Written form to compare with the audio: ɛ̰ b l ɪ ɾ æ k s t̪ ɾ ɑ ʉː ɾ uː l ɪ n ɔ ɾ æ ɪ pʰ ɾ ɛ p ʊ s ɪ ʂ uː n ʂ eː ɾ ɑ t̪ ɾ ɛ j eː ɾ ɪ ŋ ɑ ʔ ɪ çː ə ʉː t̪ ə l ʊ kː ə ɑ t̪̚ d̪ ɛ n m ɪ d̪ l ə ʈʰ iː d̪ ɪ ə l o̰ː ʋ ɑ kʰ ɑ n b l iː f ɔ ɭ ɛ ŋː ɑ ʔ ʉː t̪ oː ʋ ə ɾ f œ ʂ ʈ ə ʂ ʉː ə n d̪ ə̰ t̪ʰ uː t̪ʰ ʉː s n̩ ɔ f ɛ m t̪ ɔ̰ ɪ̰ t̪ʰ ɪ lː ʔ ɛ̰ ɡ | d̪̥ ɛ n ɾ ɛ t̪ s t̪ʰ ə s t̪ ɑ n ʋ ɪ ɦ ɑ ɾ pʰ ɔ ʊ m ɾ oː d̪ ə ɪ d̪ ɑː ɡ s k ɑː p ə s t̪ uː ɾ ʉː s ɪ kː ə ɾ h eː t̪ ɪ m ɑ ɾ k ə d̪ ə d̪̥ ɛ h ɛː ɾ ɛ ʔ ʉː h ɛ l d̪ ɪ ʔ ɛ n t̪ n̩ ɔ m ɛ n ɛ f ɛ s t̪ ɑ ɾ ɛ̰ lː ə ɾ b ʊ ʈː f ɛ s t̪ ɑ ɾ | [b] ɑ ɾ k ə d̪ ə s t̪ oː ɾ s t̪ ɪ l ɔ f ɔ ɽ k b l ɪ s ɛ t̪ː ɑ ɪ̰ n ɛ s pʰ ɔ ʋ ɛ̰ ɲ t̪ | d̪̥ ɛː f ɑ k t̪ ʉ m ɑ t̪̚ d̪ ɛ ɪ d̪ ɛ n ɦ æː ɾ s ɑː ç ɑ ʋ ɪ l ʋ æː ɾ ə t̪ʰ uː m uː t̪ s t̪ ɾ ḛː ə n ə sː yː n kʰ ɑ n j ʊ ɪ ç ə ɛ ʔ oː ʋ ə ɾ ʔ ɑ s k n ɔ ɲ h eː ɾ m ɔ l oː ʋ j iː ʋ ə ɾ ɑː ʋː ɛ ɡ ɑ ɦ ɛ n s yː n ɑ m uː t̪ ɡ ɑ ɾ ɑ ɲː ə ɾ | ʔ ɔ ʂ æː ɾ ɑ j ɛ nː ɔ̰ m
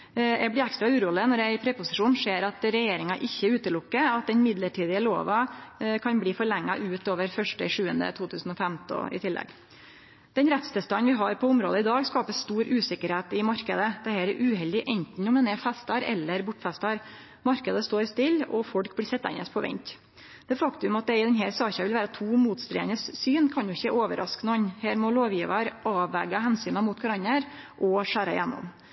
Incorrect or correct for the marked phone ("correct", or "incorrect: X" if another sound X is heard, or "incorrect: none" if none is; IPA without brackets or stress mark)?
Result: incorrect: m